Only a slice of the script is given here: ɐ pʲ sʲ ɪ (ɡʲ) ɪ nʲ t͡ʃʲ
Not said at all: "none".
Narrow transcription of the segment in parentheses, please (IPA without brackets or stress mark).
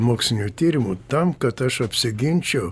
ɡʲ